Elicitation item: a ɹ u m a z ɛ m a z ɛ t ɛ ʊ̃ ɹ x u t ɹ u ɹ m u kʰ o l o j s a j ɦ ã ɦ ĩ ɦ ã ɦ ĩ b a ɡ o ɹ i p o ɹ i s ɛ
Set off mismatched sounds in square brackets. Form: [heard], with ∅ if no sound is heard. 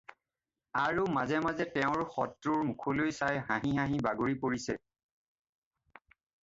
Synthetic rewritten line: a ɹ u m a z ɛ m a z ɛ t ɛ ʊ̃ ɹ x [ɔ] t ɹ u ɹ m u kʰ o l o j s a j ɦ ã ɦ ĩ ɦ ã ɦ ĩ b a ɡ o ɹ i p o ɹ i s ɛ